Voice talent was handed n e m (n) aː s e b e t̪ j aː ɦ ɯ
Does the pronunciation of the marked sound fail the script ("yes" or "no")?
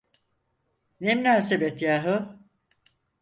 no